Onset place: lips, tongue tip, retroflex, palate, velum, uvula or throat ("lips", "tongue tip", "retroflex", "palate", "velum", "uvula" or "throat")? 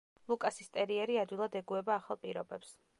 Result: tongue tip